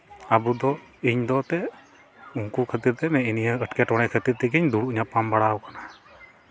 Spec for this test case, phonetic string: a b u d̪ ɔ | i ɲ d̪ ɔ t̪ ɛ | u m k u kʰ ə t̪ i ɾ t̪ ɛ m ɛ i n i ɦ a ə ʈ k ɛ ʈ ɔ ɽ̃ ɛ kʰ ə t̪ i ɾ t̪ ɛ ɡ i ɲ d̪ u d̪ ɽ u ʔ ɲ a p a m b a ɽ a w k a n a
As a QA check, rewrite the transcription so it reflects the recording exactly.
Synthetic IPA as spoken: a b u d̪ ɔ | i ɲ d̪ ɔ t̪ ɛ | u ŋ k u kʰ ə t̪ i ɾ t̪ ɛ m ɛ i n i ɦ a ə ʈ k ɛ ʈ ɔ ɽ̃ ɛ kʰ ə t̪ i ɾ t̪ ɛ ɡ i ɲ d̪ u ɽ u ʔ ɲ a p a m b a ɽ a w k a n a